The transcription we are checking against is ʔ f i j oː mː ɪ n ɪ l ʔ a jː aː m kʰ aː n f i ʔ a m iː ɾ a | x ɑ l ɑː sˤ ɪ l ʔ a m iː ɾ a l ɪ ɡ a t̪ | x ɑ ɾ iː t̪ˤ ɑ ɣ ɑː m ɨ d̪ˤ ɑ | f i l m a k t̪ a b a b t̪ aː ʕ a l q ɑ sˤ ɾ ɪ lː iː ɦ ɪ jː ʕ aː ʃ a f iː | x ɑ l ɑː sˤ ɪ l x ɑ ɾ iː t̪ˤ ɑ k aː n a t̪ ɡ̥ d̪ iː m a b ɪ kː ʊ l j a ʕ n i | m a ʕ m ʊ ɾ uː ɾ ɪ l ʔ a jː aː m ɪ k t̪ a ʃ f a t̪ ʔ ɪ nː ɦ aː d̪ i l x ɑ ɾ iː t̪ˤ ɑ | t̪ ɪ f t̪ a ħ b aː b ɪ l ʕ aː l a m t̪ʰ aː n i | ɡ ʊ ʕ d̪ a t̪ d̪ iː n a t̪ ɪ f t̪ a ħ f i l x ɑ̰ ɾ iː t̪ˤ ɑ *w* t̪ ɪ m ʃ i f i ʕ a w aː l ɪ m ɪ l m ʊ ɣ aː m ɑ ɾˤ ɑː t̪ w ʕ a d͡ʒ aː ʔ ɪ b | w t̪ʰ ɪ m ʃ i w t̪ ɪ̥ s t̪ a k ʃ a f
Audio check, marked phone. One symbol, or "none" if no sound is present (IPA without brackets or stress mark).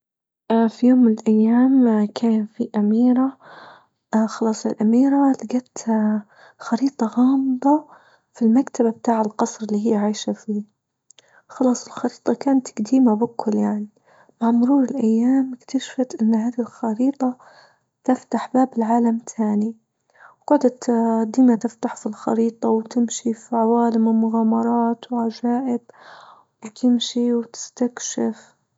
w